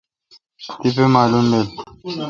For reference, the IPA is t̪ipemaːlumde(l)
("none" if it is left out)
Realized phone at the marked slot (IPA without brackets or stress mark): l